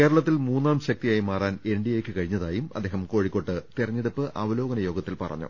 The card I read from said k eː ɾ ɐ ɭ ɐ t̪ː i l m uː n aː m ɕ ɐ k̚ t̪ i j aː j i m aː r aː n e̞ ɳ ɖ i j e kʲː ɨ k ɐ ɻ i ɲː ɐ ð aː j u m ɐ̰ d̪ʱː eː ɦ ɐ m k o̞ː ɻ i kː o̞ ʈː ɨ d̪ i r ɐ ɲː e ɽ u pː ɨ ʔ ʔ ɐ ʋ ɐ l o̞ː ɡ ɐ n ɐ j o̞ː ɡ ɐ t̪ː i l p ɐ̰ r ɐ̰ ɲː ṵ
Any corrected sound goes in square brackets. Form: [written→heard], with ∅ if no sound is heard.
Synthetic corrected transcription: k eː ɾ ɐ ɭ ɐ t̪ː i l m uː [n→nː] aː m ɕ ɐ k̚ t̪ i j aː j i m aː r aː n e̞ ɳ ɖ i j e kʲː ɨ k ɐ ɻ i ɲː ɐ ð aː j u m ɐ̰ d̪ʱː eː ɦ ɐ m k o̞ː ɻ i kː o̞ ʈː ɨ [d̪→t̪] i r ɐ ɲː e ɽ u pː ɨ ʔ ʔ ɐ ʋ ɐ l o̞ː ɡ ɐ n ɐ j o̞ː ɡ ɐ t̪ː i l p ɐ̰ r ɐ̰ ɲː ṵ

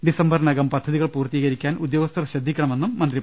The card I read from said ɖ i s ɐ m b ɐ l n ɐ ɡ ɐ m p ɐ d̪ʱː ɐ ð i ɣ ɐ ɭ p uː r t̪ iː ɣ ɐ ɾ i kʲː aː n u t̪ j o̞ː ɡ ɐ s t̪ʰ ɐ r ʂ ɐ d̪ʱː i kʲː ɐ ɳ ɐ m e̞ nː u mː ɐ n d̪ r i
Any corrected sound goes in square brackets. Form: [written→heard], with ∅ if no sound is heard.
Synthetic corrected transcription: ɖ i s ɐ m b ɐ [l→r] n ɐ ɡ ɐ m p ɐ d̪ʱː ɐ ð i ɣ ɐ ɭ p uː r t̪ iː ɣ ɐ ɾ i kʲː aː n u [t̪→d̪] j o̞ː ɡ ɐ s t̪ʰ ɐ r [ʂ→ɕ] ɐ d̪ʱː i kʲː ɐ ɳ ɐ m e̞ nː u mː ɐ n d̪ r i

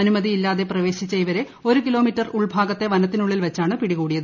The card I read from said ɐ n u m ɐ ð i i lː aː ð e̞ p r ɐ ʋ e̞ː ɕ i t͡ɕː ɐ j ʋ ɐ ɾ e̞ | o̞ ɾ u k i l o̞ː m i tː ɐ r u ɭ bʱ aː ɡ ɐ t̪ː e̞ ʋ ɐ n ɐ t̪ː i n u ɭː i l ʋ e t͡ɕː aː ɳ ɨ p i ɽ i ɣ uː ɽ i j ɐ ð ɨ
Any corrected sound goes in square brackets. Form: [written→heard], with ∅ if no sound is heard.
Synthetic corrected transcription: ɐ n u m ɐ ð i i lː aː ð e̞ p r ɐ ʋ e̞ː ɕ i t͡ɕː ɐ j ʋ ɐ ɾ e̞ | o̞ ɾ u k i l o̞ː m i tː ɐ r u ɭ bʱ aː ɡ ɐ t̪ː e̞ ʋ ɐ n ɐ t̪ː i n u ɭː i l ʋ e t͡ɕː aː ɳ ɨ p i ɽ i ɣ uː ɽ i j ɐ ð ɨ

